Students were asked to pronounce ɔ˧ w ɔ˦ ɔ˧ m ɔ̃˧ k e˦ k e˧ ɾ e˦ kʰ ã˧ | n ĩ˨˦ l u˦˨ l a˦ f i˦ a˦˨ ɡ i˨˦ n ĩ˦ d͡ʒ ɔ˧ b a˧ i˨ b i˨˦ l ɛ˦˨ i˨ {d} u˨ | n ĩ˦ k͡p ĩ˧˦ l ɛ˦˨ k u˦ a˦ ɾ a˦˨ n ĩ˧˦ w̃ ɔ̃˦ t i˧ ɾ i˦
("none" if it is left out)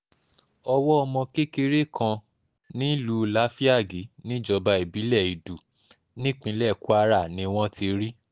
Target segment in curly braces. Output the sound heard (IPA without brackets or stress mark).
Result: d